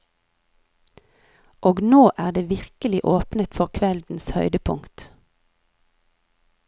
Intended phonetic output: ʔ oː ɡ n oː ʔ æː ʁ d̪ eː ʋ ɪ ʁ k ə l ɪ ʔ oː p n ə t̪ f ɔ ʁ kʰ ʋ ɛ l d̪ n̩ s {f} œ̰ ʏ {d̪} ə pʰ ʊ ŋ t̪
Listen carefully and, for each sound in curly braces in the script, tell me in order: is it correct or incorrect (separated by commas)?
incorrect, correct